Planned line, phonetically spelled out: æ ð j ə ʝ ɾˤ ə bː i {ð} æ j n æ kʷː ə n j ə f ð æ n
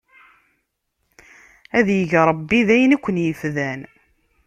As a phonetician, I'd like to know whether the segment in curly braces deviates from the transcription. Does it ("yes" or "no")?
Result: no